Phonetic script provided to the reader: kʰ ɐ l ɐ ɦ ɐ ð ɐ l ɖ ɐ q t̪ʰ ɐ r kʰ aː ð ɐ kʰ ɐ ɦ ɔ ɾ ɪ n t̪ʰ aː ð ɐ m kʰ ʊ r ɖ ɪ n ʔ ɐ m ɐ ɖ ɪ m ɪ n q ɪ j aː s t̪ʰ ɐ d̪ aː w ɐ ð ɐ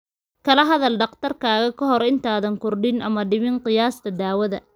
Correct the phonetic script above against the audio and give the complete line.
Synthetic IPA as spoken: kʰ ɐ l ɐ ɦ ɐ ð ɐ l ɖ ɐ q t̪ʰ ɐ r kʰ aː ɣ ɐ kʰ ɐ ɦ ɔ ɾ ɪ n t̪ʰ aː ð ɐ ŋ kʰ ʊ r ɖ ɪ n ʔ ɐ m ɐ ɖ ɪ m ɪ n q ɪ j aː s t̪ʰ ɐ d̪ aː w ɐ ð ɐ